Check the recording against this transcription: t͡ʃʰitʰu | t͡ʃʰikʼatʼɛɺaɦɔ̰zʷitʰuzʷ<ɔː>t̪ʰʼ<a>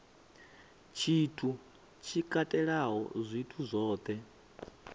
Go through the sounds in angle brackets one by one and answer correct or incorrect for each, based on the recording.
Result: correct, incorrect: ɛ

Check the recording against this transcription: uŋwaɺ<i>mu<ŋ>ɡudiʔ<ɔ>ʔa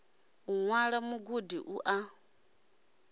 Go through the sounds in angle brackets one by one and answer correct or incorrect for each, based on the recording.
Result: incorrect: a, incorrect: none, incorrect: u

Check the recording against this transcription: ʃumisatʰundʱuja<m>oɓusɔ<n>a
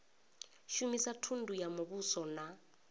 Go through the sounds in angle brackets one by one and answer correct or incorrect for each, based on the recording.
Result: correct, correct

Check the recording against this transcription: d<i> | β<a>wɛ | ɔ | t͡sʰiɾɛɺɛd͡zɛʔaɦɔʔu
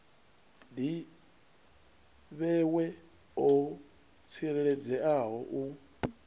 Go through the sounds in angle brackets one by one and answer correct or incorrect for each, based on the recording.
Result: correct, incorrect: ɛ

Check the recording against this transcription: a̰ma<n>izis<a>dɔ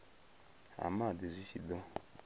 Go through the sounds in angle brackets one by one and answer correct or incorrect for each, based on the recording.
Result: incorrect: d, incorrect: i

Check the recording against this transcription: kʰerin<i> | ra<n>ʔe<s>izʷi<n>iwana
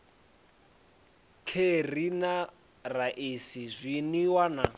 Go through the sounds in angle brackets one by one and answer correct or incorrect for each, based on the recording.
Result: incorrect: a, incorrect: none, correct, correct

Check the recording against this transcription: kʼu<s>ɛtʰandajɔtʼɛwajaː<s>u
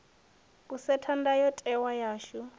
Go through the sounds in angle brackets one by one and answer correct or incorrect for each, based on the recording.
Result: correct, incorrect: ʃ

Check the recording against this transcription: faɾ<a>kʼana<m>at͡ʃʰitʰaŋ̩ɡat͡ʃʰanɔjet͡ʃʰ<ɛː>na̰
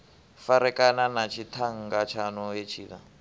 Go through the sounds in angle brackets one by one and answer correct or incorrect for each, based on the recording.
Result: incorrect: ɛ, incorrect: n, incorrect: iː

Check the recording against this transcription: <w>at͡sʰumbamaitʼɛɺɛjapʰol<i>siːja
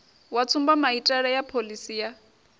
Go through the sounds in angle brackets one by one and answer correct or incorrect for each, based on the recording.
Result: correct, correct

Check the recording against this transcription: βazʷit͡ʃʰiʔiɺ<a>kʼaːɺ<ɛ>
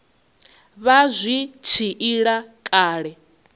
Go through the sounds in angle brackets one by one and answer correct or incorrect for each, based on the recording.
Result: correct, correct

